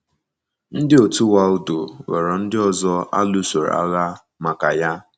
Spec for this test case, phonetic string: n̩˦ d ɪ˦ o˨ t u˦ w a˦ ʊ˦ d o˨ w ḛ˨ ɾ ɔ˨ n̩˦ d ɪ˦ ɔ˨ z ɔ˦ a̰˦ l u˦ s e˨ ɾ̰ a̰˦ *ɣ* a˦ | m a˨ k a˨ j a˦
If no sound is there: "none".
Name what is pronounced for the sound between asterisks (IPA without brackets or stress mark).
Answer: ɣ